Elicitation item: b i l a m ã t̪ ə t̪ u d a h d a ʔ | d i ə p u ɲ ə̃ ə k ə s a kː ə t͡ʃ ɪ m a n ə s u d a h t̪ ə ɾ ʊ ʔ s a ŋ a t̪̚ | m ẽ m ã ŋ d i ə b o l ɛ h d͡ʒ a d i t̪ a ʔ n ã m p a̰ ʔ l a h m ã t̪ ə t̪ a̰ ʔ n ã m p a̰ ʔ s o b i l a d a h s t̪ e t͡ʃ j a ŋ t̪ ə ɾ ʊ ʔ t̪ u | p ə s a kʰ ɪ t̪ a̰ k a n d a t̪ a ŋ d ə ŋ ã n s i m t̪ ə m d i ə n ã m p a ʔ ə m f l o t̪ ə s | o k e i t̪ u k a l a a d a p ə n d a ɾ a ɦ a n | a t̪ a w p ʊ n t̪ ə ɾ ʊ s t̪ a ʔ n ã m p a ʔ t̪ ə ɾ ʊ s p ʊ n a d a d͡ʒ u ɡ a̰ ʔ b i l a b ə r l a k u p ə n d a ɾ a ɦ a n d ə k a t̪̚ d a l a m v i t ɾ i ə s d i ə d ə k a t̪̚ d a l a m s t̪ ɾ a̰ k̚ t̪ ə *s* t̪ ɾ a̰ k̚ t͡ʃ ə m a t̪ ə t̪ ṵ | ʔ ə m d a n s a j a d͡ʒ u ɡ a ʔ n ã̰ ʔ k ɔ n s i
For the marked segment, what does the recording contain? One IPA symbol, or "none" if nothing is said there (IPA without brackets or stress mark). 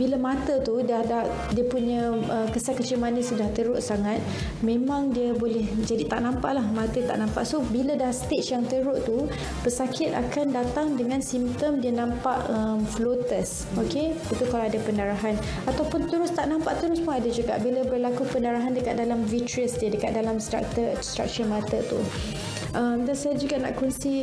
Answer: s